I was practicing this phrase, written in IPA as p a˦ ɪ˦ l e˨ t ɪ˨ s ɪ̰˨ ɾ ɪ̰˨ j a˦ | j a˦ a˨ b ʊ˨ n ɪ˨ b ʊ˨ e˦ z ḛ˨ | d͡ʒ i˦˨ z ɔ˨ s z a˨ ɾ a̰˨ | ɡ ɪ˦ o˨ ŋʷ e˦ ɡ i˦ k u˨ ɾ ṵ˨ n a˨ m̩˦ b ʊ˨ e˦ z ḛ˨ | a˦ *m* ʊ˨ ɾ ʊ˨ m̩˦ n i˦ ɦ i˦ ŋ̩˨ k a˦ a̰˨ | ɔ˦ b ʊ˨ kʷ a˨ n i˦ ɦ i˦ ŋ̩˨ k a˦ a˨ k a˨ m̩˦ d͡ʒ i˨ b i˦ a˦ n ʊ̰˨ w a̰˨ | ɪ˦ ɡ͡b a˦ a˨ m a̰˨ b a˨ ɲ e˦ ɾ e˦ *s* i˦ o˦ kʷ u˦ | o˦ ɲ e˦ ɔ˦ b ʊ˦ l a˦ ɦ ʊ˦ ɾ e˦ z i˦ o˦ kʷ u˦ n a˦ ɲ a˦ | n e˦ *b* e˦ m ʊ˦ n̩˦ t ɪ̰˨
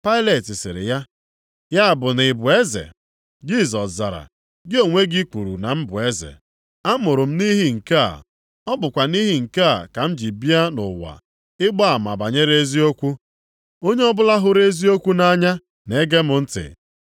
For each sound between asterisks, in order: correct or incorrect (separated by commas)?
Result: correct, incorrect, incorrect